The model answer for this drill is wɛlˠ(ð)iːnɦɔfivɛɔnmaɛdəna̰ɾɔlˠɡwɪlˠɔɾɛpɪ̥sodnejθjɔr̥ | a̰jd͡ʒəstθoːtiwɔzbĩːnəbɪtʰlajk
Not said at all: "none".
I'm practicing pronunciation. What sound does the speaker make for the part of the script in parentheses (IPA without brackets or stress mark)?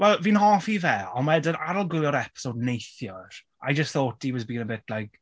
v